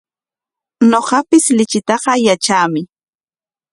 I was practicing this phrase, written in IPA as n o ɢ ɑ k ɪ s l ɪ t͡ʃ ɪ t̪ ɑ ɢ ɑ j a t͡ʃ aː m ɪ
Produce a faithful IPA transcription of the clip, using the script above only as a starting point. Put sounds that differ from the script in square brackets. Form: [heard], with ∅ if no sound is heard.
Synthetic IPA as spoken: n o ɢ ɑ [p] ɪ s l ɪ t͡ʃ ɪ t̪ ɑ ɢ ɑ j a t͡ʃ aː m ɪ